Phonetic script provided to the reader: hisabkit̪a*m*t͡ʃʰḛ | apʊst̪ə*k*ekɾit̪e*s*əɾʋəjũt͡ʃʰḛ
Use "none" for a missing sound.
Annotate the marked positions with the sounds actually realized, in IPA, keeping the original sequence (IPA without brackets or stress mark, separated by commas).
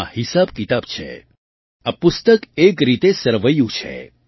b, k, s